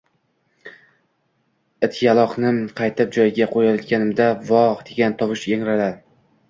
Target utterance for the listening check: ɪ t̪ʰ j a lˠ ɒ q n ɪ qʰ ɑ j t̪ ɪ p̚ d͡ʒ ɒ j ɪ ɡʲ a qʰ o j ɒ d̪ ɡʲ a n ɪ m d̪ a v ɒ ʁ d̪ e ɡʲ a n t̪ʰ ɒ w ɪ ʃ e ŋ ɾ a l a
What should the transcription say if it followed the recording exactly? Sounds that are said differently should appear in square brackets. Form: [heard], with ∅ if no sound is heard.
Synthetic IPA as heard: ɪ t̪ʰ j a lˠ ɒ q n ɪ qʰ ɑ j t̪ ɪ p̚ d͡ʒ ɒ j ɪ ɡʲ a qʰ o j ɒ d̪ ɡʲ a n ɪ m d̪ a v ɒ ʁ d̪ e ɡʲ a n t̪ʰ ɒ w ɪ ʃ e ŋ ɾ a l a